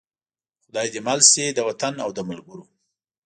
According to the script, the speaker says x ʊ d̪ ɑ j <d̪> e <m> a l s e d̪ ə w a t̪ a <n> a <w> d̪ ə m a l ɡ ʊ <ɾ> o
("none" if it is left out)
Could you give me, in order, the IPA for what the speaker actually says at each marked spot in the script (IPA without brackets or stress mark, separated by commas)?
d̪, m, n, w, ɾ